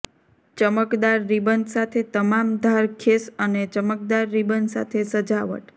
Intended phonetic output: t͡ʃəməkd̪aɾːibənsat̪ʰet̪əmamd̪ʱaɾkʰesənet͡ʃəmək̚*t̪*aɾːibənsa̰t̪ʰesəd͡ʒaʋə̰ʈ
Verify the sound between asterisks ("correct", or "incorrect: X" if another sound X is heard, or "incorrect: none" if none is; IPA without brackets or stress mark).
incorrect: d̪